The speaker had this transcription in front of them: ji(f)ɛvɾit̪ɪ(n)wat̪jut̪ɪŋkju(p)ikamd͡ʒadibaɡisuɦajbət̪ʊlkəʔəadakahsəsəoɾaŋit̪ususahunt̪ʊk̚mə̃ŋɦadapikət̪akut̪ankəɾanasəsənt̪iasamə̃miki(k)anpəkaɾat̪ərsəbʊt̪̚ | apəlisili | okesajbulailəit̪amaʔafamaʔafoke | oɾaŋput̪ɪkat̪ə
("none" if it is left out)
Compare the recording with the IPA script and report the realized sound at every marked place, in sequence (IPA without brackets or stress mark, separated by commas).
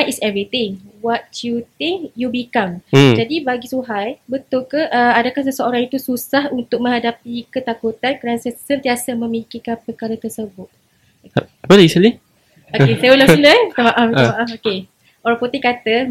s, ŋ, b, k